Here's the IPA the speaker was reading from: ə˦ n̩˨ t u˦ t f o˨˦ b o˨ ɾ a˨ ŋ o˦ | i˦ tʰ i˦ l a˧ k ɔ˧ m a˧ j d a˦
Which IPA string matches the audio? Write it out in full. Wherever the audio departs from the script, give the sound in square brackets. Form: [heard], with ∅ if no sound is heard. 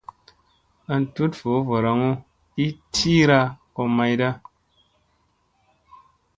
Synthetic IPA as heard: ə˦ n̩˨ t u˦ t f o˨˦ [v] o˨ ɾ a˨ ŋ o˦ | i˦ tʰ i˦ [ɾ] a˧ k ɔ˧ m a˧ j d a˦